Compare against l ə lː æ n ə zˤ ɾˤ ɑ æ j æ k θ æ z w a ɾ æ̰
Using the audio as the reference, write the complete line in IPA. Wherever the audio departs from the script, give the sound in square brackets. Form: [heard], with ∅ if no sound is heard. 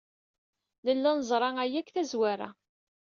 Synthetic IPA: l ə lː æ n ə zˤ ɾˤ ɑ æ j æ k θ æ z w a ɾ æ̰

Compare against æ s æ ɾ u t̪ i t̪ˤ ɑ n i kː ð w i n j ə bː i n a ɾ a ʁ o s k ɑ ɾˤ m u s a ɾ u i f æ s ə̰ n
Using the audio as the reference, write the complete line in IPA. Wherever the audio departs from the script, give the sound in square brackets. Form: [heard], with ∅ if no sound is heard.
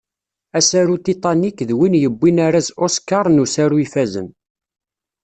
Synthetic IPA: æ s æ ɾ u t̪ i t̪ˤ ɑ n i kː ð w i n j ə bː i n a ɾ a [z] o s k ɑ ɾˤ [n] u s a ɾ u i f æ [z] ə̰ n

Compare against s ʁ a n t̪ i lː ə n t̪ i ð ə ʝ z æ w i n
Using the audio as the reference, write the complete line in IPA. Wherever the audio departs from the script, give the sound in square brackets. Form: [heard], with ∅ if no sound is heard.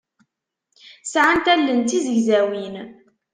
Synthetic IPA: s [ʕ] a n t̪ [æ] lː ə n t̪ i [z] ə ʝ z æ w i n

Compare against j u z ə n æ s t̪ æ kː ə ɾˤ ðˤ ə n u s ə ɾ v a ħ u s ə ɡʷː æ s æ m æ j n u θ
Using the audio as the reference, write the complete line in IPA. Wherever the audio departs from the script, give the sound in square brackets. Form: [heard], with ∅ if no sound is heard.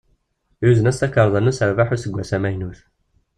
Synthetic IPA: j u z ə n æ s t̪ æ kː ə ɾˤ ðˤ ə n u s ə ɾ v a ħ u s ə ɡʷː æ s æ m æ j n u θ

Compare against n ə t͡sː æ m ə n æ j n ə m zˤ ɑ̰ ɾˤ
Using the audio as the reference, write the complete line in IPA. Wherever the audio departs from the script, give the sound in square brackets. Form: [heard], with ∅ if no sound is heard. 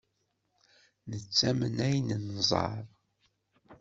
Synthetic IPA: n ə t͡sː æ m ə n æ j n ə [n] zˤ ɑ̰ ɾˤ

